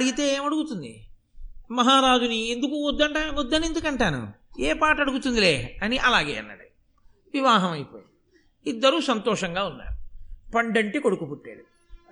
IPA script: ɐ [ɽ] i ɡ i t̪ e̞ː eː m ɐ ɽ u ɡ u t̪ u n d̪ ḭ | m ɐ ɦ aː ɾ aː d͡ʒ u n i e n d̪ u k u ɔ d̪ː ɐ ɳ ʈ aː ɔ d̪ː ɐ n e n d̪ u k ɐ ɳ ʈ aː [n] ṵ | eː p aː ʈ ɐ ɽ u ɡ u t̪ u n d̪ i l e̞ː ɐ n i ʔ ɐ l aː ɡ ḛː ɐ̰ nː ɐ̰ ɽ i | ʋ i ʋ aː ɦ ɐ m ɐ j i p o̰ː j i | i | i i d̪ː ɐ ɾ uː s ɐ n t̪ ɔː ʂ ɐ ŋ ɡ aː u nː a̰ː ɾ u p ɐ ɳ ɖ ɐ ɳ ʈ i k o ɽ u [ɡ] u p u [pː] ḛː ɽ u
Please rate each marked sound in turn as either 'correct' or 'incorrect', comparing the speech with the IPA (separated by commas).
correct, correct, incorrect, incorrect